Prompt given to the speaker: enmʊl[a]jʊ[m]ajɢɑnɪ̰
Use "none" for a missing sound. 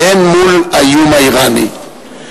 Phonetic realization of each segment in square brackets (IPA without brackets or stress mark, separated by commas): a, m